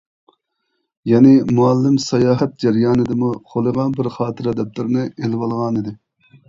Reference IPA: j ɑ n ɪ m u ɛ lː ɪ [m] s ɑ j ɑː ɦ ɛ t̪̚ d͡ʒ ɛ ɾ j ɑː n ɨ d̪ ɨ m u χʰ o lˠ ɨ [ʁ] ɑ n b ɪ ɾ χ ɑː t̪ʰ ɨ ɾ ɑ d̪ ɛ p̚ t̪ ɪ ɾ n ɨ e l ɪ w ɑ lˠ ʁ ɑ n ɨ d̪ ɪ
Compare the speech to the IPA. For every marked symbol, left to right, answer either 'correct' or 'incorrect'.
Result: correct, correct

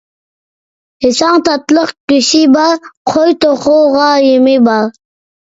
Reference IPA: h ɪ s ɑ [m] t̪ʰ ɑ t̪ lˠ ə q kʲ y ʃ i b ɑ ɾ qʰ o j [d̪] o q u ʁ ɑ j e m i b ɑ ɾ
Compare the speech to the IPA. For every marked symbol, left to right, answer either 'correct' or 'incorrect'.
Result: incorrect, incorrect

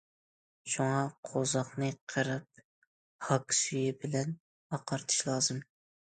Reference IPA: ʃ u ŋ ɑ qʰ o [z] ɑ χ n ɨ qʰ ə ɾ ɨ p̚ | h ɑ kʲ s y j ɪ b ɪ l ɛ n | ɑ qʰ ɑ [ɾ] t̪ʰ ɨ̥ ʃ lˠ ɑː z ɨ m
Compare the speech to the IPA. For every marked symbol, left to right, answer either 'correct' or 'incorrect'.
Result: correct, correct

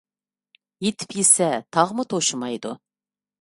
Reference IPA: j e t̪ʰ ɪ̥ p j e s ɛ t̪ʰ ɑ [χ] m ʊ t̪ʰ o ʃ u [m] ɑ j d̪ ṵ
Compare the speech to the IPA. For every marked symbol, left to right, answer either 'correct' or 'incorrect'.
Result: incorrect, correct

